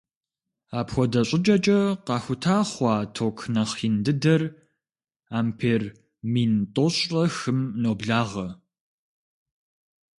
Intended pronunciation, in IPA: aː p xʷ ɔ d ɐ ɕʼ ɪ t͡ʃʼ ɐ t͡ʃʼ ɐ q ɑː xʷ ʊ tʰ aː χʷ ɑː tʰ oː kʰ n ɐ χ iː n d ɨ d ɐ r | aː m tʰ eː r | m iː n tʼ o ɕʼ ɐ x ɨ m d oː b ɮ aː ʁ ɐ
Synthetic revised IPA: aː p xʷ ɔ d ɐ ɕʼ ɪ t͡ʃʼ ɐ t͡ʃʼ ɐ q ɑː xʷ ʊ tʰ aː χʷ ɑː tʰ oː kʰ n ɐ χ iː n d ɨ d ɐ r | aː m pʰ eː r | m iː n tʼ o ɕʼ ɐ x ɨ m n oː b ɮ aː ʁ ɐ